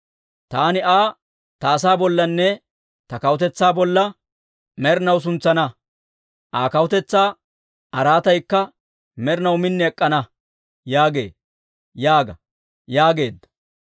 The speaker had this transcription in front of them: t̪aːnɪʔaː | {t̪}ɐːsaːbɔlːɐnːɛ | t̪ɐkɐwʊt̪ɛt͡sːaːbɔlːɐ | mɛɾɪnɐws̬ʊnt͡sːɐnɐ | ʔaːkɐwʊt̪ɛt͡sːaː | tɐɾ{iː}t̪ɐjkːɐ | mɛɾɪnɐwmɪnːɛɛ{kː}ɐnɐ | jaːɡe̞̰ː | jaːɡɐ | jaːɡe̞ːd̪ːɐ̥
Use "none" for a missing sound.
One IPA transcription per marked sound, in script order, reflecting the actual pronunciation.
t̪, aː, kʼː

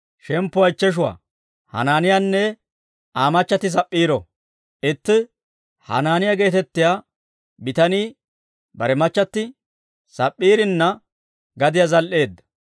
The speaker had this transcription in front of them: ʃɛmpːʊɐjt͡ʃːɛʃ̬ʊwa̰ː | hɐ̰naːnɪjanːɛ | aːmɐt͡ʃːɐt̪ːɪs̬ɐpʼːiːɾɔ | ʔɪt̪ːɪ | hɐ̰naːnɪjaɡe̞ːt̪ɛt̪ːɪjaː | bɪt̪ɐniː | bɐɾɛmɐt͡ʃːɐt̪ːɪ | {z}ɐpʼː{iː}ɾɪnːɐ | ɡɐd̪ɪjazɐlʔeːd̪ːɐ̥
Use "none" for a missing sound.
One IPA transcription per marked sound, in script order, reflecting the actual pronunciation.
s, iː

